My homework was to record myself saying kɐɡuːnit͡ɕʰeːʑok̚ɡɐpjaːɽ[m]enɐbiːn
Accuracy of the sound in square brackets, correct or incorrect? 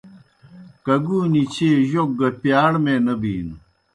correct